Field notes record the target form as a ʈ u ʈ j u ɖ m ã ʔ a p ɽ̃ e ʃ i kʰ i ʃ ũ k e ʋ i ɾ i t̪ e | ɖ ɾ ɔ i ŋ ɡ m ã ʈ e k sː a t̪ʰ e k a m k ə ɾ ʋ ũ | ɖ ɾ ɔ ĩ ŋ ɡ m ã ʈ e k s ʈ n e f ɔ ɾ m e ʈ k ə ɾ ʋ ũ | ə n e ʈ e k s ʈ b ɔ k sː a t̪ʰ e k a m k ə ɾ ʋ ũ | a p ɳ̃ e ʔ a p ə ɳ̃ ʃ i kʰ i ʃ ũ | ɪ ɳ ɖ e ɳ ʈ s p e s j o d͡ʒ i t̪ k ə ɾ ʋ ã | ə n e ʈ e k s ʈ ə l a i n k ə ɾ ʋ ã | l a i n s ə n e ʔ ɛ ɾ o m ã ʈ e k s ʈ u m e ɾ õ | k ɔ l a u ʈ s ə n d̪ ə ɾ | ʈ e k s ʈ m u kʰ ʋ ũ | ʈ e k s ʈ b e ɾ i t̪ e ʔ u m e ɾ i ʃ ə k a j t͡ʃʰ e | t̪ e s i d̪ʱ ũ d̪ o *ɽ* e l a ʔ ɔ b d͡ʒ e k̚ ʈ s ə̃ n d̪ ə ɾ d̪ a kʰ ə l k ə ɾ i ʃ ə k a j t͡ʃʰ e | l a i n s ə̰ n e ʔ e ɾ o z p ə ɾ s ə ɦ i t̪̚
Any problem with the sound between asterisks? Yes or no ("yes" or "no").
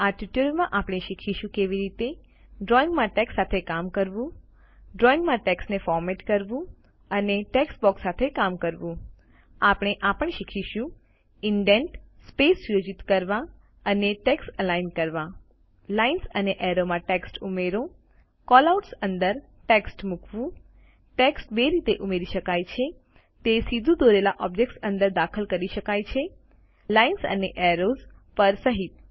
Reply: yes